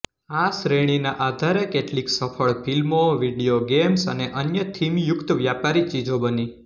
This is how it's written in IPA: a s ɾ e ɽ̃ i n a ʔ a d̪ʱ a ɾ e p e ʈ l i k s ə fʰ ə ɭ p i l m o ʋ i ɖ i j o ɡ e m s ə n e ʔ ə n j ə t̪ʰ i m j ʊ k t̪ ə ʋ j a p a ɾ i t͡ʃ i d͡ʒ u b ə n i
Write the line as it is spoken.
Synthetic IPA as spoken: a s ɾ e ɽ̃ i n a ʔ a d̪ʱ a ɾ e k e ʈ l i k s ə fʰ ə ɭ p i l m o ʋ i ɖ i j o ɡ e m s ə n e ʔ ə n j ə t̪ʰ i m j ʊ k t̪ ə ʋ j a p a ɾ i t͡ʃ i d͡ʒ o b ə n i